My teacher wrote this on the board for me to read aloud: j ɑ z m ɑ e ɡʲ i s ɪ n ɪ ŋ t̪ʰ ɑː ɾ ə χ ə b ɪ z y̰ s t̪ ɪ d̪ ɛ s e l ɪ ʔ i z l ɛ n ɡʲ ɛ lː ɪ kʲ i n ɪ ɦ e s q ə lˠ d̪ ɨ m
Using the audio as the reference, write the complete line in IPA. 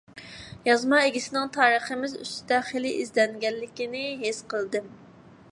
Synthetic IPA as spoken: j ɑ z m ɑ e ɡʲ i s ɪ n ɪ ŋ t̪ʰ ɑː ɾ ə χ ə m ɪ z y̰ s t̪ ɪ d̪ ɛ χ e l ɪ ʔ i z l ɛ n ɡʲ ɛ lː ɪ kʲ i n ɪ ɦ e s q ə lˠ d̪ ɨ m

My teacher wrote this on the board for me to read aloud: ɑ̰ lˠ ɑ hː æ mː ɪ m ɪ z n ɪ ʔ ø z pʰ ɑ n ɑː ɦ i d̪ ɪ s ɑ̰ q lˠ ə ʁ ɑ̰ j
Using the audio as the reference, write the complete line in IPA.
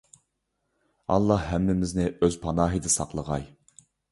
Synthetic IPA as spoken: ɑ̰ lˠː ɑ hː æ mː ɪ m ɪ z n ɪ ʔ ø z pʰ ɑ n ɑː ɦ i d̪ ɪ s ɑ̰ q lˠ ə ʁ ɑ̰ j

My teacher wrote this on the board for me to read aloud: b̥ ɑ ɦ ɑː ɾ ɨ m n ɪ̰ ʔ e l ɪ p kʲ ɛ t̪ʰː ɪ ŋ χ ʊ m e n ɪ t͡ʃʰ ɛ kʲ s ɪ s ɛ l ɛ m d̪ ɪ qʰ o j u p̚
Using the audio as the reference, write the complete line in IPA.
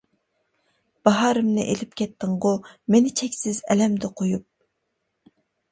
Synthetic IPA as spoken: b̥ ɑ ɦ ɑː ɾ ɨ m n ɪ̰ ʔ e l ɪ p kʲ ɛ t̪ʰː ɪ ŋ ʁ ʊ m e n ɪ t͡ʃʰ ɛ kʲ s ɪ z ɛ l ɛ m d̪ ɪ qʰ o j u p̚

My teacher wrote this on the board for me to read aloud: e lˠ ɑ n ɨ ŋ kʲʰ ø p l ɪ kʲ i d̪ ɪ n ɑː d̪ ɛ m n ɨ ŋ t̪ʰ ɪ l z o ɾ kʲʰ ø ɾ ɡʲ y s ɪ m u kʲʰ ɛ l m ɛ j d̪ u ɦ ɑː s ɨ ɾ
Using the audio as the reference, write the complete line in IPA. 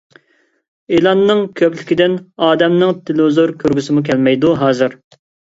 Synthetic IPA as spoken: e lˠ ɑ nː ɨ ŋ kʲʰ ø p l ɪ kʲ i d̪ ɪ n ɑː d̪ ɛ m n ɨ ŋ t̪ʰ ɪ l z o ɾ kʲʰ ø ɾ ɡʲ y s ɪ m u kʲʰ ɛ l m ɛ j d̪ u ɦ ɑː z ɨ ɾ

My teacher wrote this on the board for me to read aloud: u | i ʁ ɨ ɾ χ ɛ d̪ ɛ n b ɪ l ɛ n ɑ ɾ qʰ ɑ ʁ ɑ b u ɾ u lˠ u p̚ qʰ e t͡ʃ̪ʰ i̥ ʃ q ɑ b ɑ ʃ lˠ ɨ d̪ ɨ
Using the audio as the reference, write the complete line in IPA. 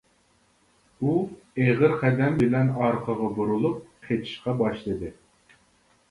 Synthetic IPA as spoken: u | e ʁ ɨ ɾ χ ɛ d̪ ɛ m b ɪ l ɛ n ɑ ɾ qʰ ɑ ʁ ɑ b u ɾ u lˠ u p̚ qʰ e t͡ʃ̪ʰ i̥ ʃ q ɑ b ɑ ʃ lˠ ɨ d̪ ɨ

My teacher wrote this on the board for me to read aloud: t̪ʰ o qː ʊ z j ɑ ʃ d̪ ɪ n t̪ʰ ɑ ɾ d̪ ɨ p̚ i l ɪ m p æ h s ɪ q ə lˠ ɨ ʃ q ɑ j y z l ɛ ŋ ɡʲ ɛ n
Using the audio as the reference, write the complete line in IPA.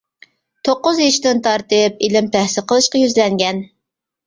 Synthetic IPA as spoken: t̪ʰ o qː ʊ z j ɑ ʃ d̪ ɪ n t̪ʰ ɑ ɾ t̪ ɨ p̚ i l ɪ m p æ h s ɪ q ə lˠ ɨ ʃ q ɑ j y z l ɛ ŋ ɡʲ ɛ n

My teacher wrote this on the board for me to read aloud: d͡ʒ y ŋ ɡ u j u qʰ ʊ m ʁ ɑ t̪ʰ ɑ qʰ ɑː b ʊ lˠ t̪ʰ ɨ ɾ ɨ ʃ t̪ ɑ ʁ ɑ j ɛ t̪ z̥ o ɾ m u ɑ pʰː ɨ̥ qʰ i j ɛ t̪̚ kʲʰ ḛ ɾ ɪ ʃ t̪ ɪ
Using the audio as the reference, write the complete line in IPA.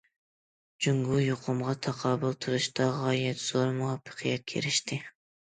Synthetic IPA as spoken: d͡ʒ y ŋ ɡ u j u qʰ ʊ m ʁ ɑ t̪ʰ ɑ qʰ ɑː b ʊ lˠ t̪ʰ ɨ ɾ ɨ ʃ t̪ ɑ ʁ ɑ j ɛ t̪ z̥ o ɾ m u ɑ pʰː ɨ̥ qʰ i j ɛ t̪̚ kʲʰ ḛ ɾ ɪ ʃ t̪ ɪ

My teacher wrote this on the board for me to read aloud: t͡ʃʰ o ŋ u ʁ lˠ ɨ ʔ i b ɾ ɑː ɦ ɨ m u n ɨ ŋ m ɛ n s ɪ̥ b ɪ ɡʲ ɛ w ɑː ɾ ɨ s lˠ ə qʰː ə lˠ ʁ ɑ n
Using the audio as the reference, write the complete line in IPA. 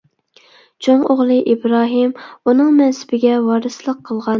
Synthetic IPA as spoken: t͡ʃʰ o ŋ o ʁ lˠ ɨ ʔ i b ɾ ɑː ɦ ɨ m u n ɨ ŋ m ɛ n s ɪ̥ b ɪ ɡʲ ɛ w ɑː ɾ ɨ s lˠ ə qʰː ə lˠ ʁ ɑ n

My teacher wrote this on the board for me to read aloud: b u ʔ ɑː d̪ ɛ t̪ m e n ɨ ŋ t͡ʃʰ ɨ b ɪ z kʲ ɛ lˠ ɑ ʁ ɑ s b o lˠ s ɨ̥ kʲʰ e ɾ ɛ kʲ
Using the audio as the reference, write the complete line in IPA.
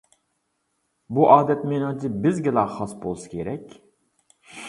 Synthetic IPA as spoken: b u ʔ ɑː d̪ ɛ t̪ m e n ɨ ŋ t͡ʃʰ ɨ b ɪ z ɡʲ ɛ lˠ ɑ χ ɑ s b o lˠ s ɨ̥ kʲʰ e ɾ ɛ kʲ

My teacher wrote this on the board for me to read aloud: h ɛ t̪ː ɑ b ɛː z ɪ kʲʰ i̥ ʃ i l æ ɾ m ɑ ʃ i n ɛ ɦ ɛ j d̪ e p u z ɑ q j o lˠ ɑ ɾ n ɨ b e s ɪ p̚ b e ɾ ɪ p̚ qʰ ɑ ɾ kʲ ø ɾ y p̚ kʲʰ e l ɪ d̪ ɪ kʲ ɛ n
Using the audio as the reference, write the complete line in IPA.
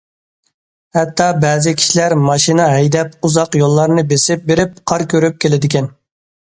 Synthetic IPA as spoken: h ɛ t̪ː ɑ b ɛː z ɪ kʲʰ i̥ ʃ i l æ ɾ m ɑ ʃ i n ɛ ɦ ɛ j d̪ ɛ p u z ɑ q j o lˠː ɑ ɾ n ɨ b e s ɪ p̚ b e ɾ ɪ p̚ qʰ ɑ ɾ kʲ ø ɾ y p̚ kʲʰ e l ɪ d̪ ɪ kʲ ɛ n

